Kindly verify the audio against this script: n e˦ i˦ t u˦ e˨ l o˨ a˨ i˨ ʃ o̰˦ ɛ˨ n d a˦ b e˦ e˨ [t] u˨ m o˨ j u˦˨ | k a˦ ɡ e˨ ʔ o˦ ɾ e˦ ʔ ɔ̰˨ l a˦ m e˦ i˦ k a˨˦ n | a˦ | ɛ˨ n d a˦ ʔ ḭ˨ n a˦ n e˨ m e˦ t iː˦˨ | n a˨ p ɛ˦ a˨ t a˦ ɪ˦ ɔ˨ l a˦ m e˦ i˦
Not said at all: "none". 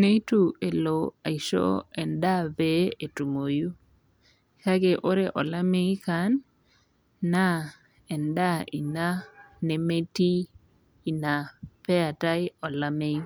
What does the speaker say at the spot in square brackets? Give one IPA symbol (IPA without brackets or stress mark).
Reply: t